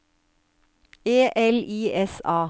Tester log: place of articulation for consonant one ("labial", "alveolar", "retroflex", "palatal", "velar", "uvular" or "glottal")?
glottal